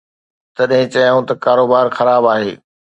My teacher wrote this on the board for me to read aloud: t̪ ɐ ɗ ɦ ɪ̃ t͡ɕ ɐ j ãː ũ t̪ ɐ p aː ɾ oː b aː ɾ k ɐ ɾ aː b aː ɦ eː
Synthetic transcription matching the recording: t̪ ɐ ɗ ɦ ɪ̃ t͡ɕ ɐ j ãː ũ t̪ ɐ k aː ɾ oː b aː ɾ x ɐ ɾ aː b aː ɦ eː